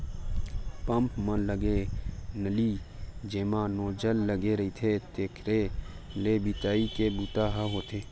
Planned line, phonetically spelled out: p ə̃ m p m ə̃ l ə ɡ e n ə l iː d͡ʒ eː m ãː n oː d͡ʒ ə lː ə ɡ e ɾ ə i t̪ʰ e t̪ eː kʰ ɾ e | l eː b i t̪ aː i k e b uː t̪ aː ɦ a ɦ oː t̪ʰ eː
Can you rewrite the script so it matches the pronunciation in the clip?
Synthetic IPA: p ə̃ m p m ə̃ l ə ɡ e n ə l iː d͡ʒ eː m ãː n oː d͡ʒ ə lː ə ɡ e ɾ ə i t̪ʰ e t̪ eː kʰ ɾ e | l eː b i t̪ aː i k e b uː t̪ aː ɦ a ɦ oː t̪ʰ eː